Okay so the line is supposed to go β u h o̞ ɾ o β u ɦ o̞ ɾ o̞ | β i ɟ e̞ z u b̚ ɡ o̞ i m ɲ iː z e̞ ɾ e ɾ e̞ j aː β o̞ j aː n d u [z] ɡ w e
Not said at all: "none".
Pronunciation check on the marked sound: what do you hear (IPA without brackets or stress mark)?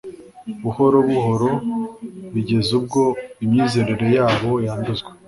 z